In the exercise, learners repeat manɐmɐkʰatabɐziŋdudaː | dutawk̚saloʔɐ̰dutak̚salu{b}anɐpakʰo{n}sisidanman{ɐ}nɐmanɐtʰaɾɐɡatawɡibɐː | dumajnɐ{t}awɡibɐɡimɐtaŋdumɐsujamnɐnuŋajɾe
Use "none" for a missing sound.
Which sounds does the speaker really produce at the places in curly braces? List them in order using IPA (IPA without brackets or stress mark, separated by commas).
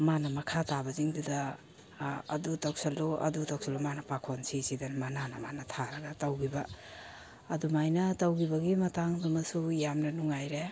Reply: m, n, a, t